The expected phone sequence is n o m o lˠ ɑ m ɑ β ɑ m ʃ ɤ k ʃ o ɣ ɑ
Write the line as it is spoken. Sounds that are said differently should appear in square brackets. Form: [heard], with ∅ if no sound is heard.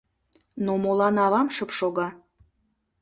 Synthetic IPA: n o m o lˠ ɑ [n] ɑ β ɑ m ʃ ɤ [p] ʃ o ɣ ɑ